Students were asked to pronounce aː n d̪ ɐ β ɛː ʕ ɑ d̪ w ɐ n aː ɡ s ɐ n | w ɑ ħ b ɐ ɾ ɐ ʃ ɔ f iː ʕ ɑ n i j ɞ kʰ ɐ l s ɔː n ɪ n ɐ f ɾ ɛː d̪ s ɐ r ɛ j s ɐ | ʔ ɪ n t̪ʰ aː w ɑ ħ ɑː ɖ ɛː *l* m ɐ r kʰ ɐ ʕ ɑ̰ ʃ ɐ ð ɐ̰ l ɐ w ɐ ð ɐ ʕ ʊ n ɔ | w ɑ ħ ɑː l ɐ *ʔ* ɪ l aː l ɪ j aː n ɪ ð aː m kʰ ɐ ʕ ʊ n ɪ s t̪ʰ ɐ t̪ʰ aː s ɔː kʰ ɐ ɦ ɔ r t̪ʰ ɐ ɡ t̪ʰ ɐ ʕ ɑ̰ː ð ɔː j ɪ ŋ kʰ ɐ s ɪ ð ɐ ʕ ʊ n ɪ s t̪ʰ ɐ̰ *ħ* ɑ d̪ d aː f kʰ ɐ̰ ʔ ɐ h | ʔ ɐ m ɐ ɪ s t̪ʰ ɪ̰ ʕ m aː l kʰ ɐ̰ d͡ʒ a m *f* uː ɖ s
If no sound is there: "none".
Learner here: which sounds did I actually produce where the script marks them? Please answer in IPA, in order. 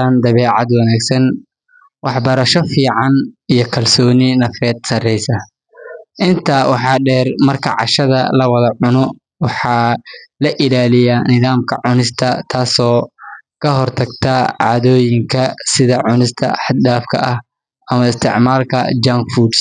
r, ʔ, ħ, f

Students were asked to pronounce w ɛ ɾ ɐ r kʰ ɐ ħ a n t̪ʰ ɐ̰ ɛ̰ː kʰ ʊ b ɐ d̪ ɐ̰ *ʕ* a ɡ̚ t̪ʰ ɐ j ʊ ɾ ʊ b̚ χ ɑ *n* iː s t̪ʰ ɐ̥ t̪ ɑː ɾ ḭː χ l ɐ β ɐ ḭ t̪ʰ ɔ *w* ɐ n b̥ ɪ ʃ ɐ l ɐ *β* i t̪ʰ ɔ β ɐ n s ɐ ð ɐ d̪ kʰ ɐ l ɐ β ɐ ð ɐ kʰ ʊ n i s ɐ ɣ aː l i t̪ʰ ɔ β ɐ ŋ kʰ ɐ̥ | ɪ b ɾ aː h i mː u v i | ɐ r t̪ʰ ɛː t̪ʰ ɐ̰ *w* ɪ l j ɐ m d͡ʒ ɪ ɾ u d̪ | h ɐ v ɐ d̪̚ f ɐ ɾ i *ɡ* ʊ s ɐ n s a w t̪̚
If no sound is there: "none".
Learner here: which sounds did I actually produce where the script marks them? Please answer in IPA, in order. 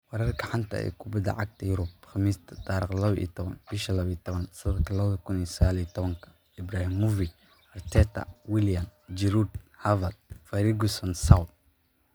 ʕ, m, β, β, w, ɡ

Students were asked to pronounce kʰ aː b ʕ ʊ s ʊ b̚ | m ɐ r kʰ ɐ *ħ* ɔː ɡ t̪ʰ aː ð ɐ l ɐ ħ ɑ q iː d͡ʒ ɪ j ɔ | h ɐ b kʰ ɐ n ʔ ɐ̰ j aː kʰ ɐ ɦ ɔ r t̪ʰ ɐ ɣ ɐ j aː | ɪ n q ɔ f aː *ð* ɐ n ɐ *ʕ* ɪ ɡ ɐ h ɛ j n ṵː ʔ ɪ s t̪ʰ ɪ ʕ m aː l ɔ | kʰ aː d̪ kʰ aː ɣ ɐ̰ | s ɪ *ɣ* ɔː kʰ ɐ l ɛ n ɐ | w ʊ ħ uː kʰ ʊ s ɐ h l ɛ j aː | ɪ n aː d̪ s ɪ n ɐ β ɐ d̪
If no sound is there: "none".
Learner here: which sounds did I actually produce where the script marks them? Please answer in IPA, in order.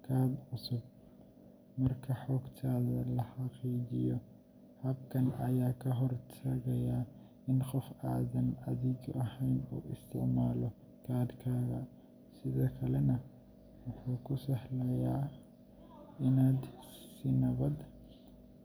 ħ, ð, ð, ð

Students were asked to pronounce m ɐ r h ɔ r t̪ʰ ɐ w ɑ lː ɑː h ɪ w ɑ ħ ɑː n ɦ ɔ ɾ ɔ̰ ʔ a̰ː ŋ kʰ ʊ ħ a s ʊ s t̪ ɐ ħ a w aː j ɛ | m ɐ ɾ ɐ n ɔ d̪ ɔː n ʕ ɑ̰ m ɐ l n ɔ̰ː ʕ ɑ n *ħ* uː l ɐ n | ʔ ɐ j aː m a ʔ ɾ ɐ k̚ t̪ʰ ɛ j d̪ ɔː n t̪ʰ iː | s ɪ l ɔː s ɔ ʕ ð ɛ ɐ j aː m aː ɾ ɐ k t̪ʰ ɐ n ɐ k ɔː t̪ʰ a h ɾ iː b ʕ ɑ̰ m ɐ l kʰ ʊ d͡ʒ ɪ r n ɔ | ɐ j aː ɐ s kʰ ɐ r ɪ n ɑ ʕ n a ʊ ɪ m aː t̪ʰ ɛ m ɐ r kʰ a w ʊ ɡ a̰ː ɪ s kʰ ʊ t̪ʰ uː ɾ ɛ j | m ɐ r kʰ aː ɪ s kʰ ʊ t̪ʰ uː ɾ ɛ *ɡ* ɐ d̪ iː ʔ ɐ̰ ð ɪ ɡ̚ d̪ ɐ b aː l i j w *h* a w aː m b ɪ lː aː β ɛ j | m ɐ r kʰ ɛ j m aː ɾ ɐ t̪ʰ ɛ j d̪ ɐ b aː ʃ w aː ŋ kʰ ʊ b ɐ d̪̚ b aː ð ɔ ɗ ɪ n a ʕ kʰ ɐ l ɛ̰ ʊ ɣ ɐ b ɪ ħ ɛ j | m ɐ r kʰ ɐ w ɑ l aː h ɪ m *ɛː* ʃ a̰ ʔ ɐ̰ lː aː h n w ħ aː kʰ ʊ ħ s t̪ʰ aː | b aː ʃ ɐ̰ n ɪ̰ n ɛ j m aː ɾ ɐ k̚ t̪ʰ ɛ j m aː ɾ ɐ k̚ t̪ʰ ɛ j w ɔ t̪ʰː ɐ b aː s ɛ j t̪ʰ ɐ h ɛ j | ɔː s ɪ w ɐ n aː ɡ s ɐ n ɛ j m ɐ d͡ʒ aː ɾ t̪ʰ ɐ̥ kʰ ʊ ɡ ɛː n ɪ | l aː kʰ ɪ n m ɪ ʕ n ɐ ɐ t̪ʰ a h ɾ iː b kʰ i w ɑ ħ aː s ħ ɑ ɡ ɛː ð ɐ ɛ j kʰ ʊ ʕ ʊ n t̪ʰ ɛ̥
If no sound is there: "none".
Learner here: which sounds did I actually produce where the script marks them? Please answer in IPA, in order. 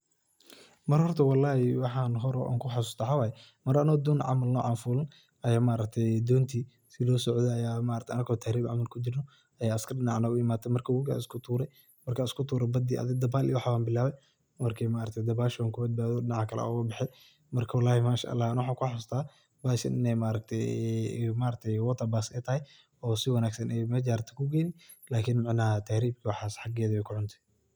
f, b, ħ, aː

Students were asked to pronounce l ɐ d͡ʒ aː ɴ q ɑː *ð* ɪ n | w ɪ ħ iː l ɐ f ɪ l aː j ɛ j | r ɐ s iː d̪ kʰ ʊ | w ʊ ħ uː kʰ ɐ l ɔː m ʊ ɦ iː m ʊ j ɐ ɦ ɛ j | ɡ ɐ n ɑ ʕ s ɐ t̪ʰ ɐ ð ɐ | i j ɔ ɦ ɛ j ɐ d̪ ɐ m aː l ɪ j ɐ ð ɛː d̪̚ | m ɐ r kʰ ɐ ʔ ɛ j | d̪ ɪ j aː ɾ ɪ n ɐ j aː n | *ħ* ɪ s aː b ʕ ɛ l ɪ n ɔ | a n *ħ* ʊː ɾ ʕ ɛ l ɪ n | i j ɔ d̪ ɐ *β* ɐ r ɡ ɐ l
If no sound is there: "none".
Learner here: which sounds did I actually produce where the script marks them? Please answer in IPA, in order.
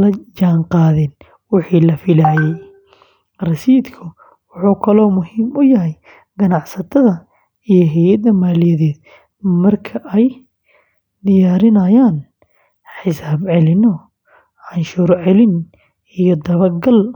ð, ħ, ʃ, β

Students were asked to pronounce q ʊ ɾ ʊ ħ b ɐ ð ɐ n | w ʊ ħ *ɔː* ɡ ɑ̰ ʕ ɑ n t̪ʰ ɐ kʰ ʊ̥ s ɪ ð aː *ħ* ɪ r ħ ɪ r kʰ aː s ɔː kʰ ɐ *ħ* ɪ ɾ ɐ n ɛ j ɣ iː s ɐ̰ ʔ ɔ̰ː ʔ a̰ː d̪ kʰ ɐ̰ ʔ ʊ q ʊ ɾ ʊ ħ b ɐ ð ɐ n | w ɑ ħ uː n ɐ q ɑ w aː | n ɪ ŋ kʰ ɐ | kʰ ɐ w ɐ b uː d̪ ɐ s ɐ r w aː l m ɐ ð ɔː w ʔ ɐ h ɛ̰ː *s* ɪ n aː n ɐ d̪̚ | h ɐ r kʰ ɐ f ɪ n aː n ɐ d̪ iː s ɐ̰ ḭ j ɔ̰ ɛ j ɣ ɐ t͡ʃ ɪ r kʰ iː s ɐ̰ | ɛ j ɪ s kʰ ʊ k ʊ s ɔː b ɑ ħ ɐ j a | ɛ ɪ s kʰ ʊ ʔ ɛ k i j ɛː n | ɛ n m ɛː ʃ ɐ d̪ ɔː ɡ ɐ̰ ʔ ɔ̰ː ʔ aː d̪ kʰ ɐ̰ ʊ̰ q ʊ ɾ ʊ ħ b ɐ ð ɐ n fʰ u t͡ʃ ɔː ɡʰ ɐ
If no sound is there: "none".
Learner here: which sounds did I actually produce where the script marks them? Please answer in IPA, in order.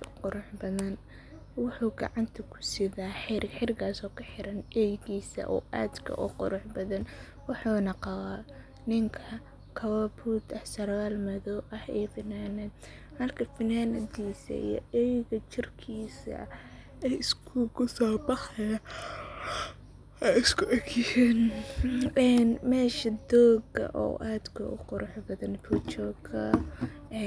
uː, ħ, ħ, f

